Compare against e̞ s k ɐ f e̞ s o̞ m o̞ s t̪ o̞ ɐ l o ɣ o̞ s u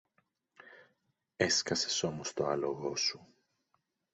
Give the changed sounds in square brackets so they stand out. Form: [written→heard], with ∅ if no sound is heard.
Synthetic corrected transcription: e̞ s k ɐ [f→s] e̞ s o̞ m o̞ s t̪ o̞ ɐ l o ɣ o̞ s u